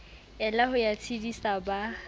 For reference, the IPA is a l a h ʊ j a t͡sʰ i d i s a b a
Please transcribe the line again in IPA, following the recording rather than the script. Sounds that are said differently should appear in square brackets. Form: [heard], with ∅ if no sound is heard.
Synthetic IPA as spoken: [ɛ] l a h ʊ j a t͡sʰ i d i s a b a